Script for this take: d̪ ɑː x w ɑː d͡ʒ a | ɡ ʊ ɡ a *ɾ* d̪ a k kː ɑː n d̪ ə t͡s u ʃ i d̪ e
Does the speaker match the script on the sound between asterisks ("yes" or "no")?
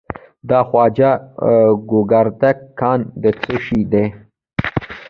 yes